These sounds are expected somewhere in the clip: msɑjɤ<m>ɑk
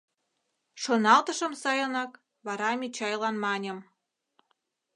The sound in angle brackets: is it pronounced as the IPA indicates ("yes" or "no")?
no